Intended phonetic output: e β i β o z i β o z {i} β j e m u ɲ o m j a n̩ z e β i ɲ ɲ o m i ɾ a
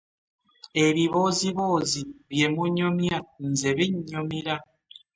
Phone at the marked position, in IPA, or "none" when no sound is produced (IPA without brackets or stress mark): i